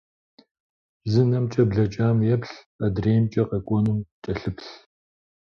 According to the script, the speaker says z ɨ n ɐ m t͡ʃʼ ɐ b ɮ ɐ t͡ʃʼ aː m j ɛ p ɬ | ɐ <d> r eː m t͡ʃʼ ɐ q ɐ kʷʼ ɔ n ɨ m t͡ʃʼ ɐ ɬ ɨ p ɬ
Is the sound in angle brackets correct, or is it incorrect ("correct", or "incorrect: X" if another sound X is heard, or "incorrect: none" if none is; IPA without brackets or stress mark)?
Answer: correct